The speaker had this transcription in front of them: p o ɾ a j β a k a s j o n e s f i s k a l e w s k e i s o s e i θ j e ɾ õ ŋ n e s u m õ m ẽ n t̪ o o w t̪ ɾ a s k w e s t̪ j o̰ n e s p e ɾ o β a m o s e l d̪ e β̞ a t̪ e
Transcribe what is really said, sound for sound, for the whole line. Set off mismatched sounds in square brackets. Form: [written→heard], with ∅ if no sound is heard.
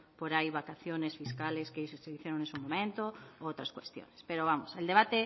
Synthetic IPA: p o ɾ a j β a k a [s→θ] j o n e s f i s k a l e [w→∅] s k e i s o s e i θ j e ɾ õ ŋ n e s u m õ m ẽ n t̪ o o w t̪ ɾ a s k w e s t̪ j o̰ n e s p e ɾ o β a m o s e l d̪ e β̞ a t̪ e